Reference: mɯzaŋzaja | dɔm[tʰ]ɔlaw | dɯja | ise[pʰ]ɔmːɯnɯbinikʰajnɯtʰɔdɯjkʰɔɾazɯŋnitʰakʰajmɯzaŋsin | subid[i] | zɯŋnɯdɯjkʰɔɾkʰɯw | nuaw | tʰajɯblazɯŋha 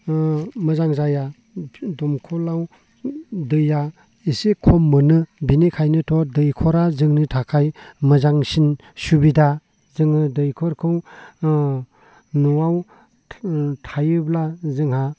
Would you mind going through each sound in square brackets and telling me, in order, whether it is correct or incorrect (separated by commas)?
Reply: incorrect, incorrect, incorrect